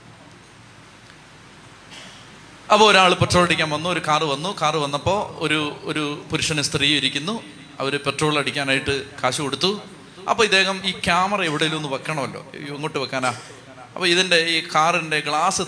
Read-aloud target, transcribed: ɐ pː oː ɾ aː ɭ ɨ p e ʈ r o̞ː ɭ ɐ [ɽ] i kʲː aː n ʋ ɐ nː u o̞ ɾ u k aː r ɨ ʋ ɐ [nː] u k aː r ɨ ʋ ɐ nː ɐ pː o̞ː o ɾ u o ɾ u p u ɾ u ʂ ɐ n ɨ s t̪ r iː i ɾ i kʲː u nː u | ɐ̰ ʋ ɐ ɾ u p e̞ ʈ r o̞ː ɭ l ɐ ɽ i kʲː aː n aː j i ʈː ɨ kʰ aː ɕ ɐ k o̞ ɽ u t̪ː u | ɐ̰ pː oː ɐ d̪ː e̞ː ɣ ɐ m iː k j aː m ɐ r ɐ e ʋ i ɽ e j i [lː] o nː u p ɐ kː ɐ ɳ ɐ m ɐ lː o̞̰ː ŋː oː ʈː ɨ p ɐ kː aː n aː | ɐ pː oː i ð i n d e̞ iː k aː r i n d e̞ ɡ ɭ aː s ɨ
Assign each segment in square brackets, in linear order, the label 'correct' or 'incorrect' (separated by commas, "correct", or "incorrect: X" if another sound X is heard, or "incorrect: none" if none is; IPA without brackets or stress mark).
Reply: correct, correct, incorrect: l